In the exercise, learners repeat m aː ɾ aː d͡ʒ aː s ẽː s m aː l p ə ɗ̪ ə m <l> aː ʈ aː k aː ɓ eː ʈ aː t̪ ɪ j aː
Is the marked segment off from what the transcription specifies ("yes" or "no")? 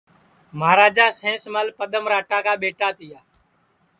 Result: yes